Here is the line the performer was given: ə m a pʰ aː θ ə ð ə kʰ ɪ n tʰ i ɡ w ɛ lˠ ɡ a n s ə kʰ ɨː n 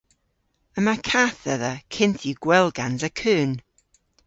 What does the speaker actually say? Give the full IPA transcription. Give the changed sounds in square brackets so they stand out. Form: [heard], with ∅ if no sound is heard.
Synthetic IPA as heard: ə m a [kʰ] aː θ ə ð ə kʰ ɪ n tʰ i ɡ w ɛ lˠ ɡ a n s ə kʰ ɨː n